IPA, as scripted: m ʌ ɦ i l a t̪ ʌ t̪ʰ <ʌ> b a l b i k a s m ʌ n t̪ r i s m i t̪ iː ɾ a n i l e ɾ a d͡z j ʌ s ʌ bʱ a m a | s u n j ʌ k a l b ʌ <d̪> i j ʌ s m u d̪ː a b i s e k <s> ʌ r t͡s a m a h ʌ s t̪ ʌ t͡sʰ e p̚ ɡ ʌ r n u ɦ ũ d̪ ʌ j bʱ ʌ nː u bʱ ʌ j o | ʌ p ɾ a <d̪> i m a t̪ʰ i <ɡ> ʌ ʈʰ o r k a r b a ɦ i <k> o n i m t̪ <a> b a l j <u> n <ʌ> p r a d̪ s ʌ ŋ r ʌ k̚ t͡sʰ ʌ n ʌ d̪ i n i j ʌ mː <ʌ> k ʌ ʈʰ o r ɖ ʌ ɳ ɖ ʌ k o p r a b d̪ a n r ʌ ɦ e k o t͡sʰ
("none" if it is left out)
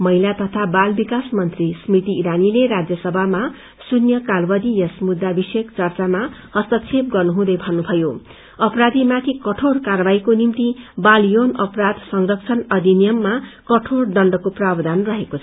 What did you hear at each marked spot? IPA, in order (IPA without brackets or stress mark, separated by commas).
a, d̪, t͡s, d̪, k, k, i, o, ʌ, a